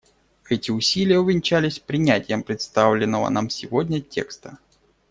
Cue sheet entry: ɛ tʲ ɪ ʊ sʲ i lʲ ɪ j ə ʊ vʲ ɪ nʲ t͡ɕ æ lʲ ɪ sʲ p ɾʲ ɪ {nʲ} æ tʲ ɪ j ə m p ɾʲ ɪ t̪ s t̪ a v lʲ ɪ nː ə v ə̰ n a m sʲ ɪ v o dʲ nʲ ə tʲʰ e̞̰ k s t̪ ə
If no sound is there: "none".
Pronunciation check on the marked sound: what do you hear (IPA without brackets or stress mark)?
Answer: nʲ